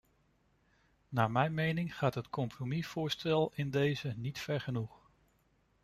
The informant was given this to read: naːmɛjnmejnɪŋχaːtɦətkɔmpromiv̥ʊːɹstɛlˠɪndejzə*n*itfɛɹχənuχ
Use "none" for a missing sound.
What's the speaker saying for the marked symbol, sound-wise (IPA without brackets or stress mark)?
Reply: n